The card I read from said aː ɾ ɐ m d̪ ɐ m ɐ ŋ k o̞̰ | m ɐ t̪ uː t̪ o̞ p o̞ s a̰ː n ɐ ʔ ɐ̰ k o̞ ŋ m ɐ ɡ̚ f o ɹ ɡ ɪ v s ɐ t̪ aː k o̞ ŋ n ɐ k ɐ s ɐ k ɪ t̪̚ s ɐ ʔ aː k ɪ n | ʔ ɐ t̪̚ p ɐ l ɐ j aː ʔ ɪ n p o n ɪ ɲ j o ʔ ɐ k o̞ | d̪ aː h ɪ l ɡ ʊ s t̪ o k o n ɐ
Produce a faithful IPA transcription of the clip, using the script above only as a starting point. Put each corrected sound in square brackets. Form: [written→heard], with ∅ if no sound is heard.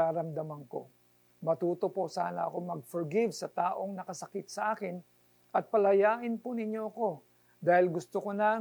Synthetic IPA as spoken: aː ɾ ɐ m d̪ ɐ m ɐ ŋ k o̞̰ | m ɐ t̪ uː t̪ o̞ p o̞ s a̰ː n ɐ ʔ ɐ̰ k o̞ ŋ m ɐ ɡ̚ f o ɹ ɡ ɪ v s ɐ t̪ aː [k→ʔ] o̞ ŋ n ɐ k ɐ s ɐ k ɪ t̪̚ s ɐ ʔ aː k ɪ n | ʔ ɐ t̪̚ p ɐ l ɐ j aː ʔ ɪ n p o n ɪ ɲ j o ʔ ɐ k o̞ | d̪ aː h ɪ l ɡ ʊ s t̪ o k o n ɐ